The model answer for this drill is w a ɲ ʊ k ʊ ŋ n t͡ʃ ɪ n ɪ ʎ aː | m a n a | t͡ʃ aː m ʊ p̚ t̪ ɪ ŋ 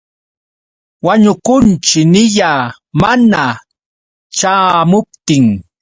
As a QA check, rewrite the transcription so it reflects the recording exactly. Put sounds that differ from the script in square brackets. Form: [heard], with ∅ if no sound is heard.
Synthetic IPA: w a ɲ ʊ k ʊ [∅] n t͡ʃ ɪ n ɪ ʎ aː | m a n a | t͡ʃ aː m ʊ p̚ t̪ ɪ ŋ